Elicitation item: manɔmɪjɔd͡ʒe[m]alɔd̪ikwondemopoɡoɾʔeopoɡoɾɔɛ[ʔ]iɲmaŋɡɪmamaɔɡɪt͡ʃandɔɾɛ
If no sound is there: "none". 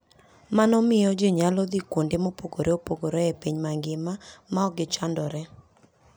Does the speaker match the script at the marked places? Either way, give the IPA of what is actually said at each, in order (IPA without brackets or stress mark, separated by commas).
ɲ, p